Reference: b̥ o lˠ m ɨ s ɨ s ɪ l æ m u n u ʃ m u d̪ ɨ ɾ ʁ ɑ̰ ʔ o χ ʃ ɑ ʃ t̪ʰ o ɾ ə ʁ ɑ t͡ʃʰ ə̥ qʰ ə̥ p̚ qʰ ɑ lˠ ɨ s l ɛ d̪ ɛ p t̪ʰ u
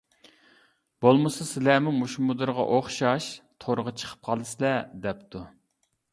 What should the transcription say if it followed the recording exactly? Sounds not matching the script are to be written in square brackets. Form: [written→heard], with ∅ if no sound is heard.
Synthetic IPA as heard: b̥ o lˠ m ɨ s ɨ s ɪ l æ m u [n→m] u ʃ m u d̪ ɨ ɾ ʁ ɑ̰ ʔ o χ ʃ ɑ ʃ t̪ʰ o ɾ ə ʁ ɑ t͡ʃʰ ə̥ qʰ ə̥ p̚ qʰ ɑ lˠ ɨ s l ɛ d̪ ɛ p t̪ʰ u